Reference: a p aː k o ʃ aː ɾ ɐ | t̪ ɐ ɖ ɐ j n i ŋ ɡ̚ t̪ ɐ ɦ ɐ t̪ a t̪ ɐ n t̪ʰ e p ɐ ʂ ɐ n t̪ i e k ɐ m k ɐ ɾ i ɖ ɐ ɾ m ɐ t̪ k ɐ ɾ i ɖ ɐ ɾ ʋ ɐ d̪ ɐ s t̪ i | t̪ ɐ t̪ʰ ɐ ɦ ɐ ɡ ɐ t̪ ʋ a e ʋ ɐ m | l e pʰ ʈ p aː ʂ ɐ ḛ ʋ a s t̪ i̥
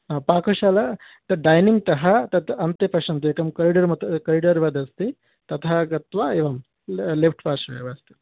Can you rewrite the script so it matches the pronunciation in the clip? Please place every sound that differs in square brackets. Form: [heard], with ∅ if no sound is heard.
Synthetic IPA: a p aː k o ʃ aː [l] ɐ | t̪ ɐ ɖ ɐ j n i ŋ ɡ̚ t̪ ɐ ɦ ɐ t̪ [ɐ] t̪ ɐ n [t̪] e p ɐ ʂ ɐ n t̪ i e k ɐ m k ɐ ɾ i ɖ ɐ ɾ m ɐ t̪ k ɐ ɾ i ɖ ɐ ɾ ʋ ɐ d̪ ɐ s t̪ i | t̪ ɐ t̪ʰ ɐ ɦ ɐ ɡ ɐ t̪ ʋ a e ʋ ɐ m | l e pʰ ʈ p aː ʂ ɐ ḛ ʋ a s t̪ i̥

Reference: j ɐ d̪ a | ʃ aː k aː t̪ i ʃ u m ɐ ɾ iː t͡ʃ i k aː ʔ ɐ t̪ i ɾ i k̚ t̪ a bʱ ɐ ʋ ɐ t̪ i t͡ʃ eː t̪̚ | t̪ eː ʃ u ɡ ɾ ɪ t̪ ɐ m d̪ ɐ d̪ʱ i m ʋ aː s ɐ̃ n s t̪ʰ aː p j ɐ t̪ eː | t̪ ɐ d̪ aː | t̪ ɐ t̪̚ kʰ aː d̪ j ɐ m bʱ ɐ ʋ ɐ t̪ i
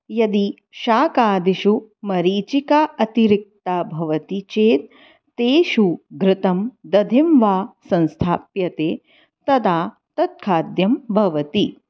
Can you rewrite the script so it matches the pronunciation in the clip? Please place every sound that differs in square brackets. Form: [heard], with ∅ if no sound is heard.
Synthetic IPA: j ɐ d̪ [i] | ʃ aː k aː [d̪] i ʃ u m ɐ ɾ iː t͡ʃ i k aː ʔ ɐ t̪ i ɾ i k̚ t̪ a bʱ ɐ ʋ ɐ t̪ i t͡ʃ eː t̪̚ | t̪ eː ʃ u ɡ ɾ ɪ t̪ ɐ m d̪ ɐ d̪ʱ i m ʋ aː s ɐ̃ n s t̪ʰ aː p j ɐ t̪ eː | t̪ ɐ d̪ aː | t̪ ɐ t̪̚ kʰ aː d̪ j ɐ m bʱ ɐ ʋ ɐ t̪ i

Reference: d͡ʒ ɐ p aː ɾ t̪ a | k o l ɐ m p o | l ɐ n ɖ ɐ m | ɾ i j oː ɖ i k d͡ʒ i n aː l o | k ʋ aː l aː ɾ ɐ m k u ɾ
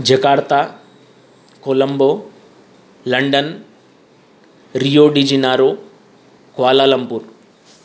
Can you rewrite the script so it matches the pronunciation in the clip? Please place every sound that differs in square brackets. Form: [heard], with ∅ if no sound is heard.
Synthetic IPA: d͡ʒ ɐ [k] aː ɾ t̪ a | k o l ɐ m [b] o | l ɐ [ɳ] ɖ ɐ [n] | ɾ i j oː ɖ i [∅] d͡ʒ i n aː [ɾ] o | k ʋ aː l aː [l] ɐ m [p] u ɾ

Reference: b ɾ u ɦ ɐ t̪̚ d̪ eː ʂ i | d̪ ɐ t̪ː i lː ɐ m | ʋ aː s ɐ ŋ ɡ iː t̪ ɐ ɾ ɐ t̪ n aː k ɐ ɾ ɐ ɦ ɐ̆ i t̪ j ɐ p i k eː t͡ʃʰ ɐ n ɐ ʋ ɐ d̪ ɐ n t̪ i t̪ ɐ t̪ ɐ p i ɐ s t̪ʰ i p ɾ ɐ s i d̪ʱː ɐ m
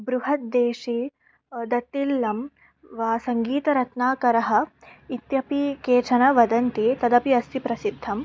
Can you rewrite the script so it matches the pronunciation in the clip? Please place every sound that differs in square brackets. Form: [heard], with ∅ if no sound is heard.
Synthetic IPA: b ɾ u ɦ ɐ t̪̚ d̪ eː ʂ i | d̪ ɐ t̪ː i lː ɐ m | ʋ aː s ɐ ŋ ɡ iː t̪ ɐ ɾ ɐ t̪ n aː k ɐ ɾ ɐ ɦ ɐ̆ i t̪ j ɐ p i k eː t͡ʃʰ ɐ n ɐ ʋ ɐ d̪ ɐ n t̪ i t̪ ɐ [d̪] ɐ p i ɐ s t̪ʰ i p ɾ ɐ s i d̪ʱː ɐ m

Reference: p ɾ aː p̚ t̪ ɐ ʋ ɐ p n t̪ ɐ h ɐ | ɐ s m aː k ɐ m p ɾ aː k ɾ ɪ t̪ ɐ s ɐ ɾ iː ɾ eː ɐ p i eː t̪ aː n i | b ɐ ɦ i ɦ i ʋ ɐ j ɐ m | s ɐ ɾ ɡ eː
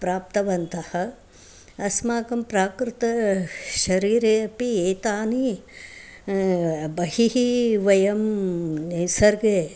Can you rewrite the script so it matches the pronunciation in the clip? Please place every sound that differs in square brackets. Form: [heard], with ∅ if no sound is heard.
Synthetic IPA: p ɾ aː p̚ t̪ ɐ ʋ ɐ [∅] n t̪ ɐ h ɐ | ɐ s m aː k ɐ m p ɾ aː k ɾ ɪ t̪ ɐ [ʃ] ɐ ɾ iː ɾ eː ɐ p i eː t̪ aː n i | b ɐ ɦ i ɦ i ʋ ɐ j ɐ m | s ɐ ɾ ɡ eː

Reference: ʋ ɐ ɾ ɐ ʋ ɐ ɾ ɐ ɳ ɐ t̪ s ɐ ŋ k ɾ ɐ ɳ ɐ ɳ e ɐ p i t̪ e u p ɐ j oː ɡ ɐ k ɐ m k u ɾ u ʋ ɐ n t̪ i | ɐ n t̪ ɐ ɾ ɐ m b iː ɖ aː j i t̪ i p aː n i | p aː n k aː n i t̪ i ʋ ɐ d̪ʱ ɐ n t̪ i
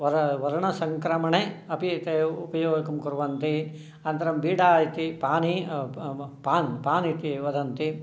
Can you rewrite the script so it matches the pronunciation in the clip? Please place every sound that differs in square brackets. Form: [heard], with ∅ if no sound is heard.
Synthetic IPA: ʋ ɐ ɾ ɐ ʋ ɐ ɾ ɐ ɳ ɐ [∅] s ɐ ŋ k ɾ ɐ [m] ɐ ɳ e ɐ p i t̪ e u p ɐ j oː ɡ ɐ k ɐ m k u ɾ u ʋ ɐ n t̪ i | ɐ n t̪ ɐ ɾ ɐ m b iː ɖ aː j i t̪ i p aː n i | p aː n [p] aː n i t̪ i ʋ ɐ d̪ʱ ɐ n t̪ i

